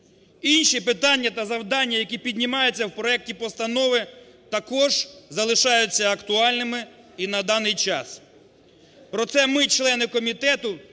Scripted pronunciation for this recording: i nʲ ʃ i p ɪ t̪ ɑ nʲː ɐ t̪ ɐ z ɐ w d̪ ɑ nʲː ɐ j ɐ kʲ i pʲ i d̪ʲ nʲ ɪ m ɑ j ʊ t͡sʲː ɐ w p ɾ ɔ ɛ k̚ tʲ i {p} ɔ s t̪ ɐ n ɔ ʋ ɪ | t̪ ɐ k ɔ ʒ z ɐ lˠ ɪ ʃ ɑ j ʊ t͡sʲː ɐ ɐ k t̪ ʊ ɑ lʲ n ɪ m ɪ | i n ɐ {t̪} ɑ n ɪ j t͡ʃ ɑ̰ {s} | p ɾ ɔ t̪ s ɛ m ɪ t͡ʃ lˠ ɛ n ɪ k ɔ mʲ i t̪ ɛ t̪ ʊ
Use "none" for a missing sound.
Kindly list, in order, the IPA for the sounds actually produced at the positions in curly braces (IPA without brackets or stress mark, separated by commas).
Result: p, d̪, s